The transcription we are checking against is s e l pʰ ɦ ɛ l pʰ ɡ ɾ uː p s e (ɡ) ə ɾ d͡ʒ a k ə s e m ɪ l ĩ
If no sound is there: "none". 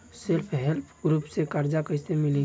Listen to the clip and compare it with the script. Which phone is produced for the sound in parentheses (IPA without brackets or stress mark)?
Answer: k